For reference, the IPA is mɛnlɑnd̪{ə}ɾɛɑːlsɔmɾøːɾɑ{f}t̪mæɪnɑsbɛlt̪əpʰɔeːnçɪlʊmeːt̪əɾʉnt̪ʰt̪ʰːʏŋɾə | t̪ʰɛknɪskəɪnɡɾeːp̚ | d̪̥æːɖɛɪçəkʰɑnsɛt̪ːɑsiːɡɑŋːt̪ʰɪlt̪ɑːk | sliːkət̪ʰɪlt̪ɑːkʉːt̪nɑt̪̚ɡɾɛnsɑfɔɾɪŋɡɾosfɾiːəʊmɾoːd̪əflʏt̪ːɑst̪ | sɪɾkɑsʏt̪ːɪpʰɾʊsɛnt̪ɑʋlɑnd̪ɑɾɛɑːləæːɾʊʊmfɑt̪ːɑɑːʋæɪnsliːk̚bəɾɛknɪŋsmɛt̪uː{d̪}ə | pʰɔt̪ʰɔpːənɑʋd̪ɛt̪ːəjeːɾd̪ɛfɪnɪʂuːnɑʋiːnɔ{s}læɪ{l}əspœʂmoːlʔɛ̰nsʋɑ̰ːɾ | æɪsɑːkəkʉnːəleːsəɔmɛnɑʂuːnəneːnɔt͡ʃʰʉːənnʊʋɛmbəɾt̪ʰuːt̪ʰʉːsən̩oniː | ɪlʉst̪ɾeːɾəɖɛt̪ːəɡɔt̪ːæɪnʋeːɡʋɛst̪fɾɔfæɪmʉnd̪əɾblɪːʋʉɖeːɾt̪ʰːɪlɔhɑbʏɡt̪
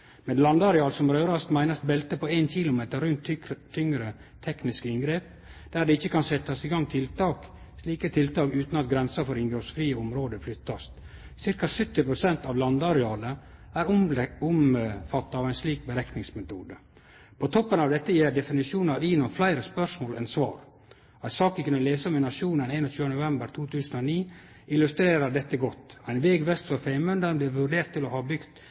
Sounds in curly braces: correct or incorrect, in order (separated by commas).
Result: incorrect, incorrect, correct, incorrect, incorrect